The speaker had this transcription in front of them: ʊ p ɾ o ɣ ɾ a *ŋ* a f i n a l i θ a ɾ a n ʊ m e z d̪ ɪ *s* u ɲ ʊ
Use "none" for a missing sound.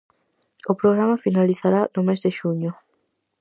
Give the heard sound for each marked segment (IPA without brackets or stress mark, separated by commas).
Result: m, ʃ